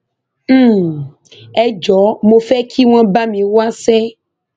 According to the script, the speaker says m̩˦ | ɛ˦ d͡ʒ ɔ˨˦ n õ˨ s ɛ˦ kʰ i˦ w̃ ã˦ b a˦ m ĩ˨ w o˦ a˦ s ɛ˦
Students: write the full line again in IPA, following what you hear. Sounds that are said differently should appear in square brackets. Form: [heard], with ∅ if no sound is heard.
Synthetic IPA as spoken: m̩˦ | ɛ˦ d͡ʒ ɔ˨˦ [m] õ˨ [f] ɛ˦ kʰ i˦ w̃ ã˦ b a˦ m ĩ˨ w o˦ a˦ s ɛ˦